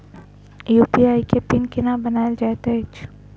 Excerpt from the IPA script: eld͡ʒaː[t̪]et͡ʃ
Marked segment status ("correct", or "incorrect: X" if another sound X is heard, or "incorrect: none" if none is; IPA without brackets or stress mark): correct